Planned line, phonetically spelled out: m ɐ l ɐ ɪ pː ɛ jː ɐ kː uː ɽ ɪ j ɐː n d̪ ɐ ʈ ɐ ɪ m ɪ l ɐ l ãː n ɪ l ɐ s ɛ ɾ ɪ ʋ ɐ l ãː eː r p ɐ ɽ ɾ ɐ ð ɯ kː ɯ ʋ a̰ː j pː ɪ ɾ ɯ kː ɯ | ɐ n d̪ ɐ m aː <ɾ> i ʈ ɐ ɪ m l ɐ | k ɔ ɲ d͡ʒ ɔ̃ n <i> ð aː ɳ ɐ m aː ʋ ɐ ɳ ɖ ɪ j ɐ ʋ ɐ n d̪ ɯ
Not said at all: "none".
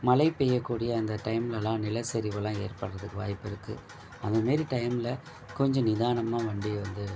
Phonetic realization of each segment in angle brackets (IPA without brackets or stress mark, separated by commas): ɾ, ɪ